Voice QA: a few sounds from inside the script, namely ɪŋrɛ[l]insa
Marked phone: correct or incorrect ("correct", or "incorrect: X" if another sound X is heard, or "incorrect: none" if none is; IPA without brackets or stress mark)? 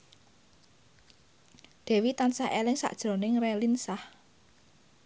correct